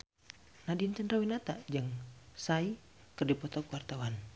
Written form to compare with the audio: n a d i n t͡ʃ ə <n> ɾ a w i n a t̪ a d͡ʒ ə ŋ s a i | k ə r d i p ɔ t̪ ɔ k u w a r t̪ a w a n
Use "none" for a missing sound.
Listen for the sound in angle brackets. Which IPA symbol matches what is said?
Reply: n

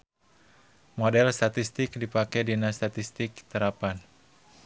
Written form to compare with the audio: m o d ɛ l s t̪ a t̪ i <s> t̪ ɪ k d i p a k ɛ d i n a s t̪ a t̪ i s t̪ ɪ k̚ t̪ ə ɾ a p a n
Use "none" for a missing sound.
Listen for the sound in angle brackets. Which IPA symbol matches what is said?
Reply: s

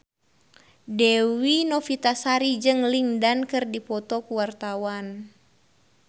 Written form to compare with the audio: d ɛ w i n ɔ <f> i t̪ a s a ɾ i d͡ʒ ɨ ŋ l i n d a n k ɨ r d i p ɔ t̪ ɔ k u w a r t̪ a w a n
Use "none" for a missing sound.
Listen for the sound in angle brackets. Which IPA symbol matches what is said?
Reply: f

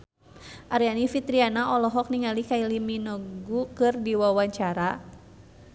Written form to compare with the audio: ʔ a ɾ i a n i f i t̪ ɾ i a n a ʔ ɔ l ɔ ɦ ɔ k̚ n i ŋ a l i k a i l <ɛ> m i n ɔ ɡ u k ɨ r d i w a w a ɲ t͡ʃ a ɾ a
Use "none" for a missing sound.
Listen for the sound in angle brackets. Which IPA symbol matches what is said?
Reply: i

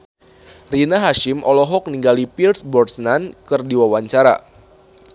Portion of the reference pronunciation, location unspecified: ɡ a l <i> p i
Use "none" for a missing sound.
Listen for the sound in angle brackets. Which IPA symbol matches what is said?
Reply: i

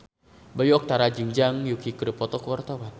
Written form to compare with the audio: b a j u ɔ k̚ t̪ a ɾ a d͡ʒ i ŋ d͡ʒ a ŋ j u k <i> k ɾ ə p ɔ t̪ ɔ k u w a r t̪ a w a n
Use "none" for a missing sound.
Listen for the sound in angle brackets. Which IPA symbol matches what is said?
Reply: i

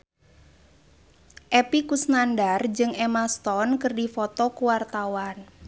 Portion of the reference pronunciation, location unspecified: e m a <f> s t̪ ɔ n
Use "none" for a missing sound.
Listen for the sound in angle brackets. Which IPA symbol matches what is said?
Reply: none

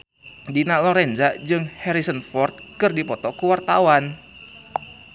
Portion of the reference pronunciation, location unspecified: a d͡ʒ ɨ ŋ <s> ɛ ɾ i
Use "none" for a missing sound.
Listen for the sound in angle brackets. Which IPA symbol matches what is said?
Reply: h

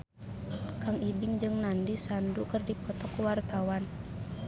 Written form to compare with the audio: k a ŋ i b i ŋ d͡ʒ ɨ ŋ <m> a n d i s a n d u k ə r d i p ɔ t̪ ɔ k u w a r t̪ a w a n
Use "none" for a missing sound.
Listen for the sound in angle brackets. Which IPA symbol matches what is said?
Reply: n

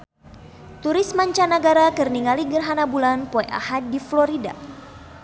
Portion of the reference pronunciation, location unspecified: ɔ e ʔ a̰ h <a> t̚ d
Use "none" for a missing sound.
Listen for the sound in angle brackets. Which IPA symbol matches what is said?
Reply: a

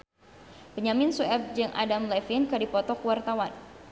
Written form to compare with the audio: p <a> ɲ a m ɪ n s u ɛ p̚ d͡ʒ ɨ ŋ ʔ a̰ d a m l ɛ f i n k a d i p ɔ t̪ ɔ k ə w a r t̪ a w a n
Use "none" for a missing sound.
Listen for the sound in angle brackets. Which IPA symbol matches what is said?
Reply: ə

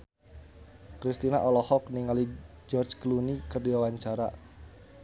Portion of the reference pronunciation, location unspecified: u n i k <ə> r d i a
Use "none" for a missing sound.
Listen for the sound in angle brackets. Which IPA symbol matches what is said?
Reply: ə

